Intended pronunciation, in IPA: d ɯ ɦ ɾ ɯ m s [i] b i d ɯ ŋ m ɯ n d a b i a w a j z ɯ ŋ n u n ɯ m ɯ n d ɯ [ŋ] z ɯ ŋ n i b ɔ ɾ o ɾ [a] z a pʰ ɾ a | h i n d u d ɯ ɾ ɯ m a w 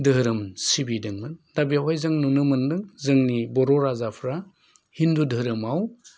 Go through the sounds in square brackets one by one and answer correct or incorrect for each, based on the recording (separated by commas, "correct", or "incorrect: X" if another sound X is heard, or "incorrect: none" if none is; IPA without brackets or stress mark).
correct, correct, correct